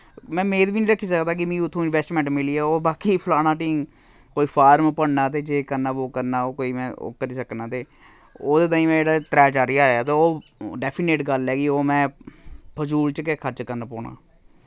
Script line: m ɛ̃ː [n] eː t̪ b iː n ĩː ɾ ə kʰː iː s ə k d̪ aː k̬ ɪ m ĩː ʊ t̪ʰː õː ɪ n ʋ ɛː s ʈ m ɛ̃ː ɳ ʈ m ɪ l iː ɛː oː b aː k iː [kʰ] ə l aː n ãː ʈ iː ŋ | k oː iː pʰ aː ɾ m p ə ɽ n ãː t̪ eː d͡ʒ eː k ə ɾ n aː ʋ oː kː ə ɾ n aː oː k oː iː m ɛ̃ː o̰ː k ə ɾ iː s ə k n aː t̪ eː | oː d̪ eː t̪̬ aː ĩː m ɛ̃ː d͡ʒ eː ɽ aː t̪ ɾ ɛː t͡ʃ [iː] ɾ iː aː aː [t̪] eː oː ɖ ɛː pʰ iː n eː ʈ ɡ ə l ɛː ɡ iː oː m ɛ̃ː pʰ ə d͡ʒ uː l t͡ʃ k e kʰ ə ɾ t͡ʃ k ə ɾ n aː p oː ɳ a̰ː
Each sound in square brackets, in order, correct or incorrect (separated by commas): incorrect, incorrect, incorrect, correct